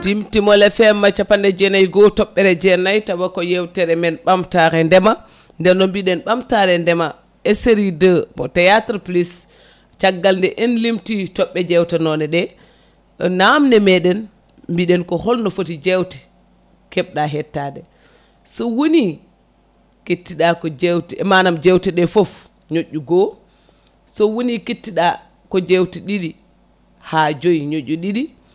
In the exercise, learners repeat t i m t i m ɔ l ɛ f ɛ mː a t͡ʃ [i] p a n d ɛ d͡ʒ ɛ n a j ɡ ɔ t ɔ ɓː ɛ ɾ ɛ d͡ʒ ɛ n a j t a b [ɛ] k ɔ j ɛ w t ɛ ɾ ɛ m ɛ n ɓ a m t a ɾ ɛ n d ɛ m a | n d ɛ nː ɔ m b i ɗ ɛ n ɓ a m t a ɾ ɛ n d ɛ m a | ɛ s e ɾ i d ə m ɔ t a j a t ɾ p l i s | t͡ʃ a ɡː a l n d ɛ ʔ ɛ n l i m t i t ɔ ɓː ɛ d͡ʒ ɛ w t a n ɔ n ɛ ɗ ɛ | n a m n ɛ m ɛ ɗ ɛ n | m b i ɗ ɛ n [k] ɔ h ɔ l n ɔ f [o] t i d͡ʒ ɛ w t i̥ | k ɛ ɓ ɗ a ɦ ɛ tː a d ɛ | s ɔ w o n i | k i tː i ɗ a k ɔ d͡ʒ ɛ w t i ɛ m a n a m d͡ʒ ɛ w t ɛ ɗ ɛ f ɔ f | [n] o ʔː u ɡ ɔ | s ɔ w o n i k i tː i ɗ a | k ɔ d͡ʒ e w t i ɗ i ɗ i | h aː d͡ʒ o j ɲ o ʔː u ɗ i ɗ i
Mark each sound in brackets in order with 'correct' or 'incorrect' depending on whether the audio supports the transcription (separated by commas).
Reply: incorrect, incorrect, correct, correct, incorrect